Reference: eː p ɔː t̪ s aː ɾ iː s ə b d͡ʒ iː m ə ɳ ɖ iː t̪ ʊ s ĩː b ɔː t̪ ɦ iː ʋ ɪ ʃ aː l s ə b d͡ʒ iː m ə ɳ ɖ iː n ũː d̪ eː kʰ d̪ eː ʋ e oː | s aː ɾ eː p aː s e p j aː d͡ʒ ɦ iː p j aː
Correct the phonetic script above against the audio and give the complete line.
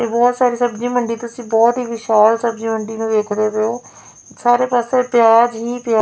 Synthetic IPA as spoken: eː b ɔː t̪ s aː ɾ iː s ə b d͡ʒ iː m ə ɳ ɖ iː t̪ ʊ s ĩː b ɔː t̪ ɦ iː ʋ ɪ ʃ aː l s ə b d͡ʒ iː m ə ɳ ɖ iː n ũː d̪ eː kʰ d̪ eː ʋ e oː | s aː ɾ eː p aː s e p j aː d͡ʒ ɦ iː p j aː

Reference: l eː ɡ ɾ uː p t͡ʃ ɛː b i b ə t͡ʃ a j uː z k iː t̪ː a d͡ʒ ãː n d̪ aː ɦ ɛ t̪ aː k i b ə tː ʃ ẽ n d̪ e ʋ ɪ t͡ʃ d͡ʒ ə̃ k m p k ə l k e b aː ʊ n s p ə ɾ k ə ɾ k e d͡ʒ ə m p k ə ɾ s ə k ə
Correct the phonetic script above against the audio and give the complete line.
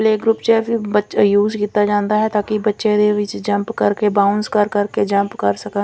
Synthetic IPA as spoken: l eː ɡ ɾ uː p t͡ʃ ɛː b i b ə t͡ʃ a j uː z k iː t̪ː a d͡ʒ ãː n d̪ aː ɦ ɛ t̪ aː k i b ə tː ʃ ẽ d̪ e ʋ ɪ t͡ʃ d͡ʒ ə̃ m p k ə ɾ k e b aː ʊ n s k ə ɾ k ə ɾ k e d͡ʒ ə m p k ə ɾ s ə k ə

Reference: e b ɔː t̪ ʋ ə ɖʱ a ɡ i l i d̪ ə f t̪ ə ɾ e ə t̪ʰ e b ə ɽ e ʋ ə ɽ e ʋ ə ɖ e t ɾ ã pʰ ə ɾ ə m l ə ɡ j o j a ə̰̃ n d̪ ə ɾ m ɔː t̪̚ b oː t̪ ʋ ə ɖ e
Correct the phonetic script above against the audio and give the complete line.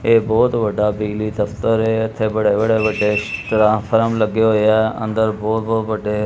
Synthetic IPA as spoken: e b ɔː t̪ ʋ ə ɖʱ a b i l i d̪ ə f t̪ ə ɾ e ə t̪ʰ e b ə ɽ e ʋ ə ɽ e ʋ ə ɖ e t ɾ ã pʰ ə ɾ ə m l ə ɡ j o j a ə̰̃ n d̪ ə ɾ b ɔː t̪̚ b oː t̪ ʋ ə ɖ e

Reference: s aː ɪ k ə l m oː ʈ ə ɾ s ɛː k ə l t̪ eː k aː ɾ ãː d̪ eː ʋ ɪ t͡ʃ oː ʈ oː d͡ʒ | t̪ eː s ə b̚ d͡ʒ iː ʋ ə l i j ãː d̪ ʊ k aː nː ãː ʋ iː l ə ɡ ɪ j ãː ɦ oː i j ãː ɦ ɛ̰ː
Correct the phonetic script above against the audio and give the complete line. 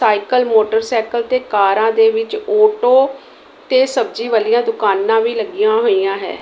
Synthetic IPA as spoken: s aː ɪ k ə l m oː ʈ ə ɾ s ɛː k ə l t̪ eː k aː ɾ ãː d̪ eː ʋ ɪ t͡ʃ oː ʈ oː | t̪ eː s ə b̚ d͡ʒ iː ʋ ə l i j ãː d̪ ʊ k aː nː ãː ʋ iː l ə ɡ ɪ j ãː ɦ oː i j ãː ɦ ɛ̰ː

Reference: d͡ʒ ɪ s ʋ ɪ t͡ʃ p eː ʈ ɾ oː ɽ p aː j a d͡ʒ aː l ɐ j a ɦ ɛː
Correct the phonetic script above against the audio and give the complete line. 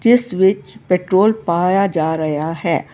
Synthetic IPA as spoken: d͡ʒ ɪ s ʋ ɪ t͡ʃ p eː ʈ ɾ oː l p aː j a d͡ʒ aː ɾ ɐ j a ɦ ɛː

